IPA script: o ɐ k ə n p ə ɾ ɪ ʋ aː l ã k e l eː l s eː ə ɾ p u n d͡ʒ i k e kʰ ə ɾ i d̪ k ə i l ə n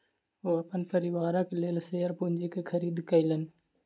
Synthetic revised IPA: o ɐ p ə n p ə ɾ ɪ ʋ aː ɾ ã k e l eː l s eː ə ɾ p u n d͡ʒ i k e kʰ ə ɾ iː d̪ k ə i l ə n